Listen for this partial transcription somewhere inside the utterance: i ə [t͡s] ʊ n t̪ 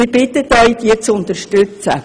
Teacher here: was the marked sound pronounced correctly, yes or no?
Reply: yes